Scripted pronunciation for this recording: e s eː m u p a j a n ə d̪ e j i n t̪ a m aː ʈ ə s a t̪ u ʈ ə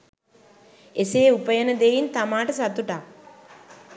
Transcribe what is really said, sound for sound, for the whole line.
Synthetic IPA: e s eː u p ə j ə n ə d̪ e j i n t̪ a m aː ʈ ə s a t̪ u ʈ a